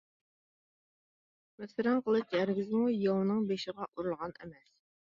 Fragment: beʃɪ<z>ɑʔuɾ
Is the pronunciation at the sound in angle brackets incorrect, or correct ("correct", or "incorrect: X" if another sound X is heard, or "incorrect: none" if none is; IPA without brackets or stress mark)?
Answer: incorrect: ʁ